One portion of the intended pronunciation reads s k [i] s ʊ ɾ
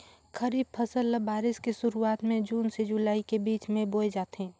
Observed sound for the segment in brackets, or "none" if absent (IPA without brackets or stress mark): e